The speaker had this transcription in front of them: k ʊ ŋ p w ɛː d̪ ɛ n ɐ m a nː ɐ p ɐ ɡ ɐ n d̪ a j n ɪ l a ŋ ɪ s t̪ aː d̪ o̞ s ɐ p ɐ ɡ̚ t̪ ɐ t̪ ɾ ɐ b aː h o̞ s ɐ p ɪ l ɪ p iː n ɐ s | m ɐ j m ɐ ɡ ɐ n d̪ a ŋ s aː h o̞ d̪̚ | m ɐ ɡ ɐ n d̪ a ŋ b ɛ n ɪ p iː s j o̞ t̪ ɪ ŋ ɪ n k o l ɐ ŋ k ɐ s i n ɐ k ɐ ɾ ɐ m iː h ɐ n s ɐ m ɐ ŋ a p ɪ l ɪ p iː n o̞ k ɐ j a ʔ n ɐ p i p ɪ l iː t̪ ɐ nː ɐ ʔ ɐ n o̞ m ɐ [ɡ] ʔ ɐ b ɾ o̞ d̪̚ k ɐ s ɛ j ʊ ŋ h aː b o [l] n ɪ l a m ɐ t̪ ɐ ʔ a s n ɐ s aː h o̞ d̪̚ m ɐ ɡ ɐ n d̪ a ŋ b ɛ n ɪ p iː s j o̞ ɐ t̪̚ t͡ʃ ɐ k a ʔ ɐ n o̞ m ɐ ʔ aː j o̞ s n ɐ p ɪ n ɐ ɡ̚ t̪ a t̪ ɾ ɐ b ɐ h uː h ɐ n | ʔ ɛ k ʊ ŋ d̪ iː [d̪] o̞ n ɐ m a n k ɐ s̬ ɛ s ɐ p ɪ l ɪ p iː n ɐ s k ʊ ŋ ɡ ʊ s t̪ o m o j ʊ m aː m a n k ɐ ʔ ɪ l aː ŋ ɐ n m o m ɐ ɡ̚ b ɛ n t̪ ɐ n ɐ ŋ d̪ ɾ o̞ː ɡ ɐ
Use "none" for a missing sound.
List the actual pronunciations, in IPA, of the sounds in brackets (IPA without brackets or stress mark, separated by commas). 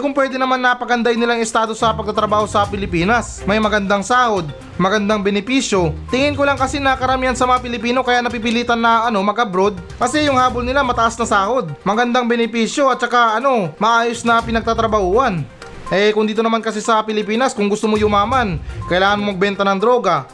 ɡ, l, t̪